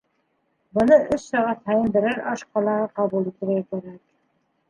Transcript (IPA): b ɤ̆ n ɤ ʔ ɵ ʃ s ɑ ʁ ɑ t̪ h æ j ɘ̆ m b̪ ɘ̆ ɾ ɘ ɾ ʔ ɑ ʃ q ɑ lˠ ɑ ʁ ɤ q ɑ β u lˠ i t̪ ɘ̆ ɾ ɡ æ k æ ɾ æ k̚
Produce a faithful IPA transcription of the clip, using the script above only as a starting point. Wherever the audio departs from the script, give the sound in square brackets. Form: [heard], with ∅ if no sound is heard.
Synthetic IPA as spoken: b ɤ̆ n ɤ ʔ ɵ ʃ s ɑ ʁ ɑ t̪ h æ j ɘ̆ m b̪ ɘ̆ ɾ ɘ ɾ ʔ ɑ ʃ q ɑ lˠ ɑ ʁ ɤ q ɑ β u lˠ i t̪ ɘ̆ ɾ ɡ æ k æ ɾ æ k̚